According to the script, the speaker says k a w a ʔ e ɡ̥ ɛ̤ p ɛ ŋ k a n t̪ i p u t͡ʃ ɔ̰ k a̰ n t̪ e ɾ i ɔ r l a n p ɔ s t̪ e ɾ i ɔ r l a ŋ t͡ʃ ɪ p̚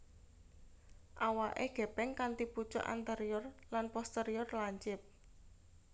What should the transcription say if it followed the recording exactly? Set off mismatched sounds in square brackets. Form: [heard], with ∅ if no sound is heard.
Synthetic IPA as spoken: [ʔ] a w a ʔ e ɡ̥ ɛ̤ p ɛ ŋ k a n t̪ i p u t͡ʃ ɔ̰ [ʔ] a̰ n t̪ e ɾ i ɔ r l a n p ɔ s t̪ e ɾ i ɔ r l a [ɲ] t͡ʃ ɪ p̚